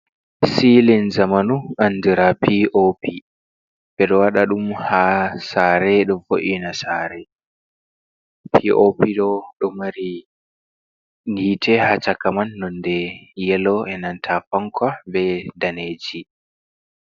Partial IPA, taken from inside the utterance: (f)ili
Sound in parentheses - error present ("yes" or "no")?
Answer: yes